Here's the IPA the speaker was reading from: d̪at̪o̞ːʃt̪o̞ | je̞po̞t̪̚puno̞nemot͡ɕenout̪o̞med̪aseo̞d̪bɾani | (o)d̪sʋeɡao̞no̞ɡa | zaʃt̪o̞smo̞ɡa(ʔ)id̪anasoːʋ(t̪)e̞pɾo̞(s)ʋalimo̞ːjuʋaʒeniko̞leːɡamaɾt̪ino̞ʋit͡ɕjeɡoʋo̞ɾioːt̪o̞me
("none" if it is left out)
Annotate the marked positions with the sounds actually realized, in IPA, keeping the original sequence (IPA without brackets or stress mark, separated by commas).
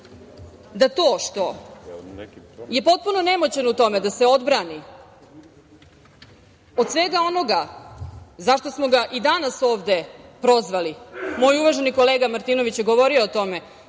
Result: o, ʔ, d̪, z